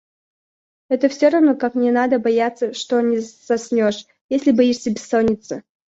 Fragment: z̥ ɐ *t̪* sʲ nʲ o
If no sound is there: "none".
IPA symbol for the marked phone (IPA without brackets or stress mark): none